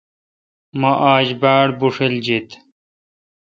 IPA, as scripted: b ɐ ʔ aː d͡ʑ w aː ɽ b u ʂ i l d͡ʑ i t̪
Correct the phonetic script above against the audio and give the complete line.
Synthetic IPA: m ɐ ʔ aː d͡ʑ b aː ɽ b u ʂ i l d͡ʑ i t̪